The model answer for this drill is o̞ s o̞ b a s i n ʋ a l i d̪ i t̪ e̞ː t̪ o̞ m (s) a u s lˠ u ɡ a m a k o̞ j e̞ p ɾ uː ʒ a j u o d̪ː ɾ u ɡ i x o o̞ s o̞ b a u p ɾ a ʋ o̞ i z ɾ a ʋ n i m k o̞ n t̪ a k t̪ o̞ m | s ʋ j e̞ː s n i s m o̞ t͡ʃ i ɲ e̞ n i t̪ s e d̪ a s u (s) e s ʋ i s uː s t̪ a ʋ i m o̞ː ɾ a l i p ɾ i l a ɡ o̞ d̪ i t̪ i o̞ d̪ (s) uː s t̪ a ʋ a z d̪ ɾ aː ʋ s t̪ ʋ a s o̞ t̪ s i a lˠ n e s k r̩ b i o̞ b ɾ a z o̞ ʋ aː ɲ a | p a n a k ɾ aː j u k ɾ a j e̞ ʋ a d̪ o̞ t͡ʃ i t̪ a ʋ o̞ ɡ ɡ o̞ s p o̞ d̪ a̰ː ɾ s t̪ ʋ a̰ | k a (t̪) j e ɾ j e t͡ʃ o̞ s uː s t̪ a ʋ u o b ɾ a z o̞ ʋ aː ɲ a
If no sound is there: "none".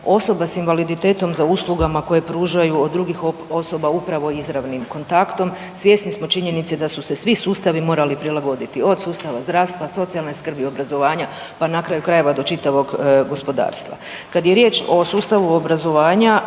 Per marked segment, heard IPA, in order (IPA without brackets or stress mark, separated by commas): z, s, s, d̪